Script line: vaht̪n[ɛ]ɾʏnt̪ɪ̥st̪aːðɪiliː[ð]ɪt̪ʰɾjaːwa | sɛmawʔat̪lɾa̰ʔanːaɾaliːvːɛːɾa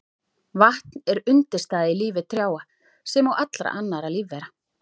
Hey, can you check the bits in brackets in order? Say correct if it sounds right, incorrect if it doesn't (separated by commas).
correct, incorrect